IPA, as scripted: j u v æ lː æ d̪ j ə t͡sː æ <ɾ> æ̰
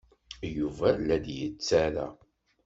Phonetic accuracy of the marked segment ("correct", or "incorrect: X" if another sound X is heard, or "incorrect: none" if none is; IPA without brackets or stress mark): correct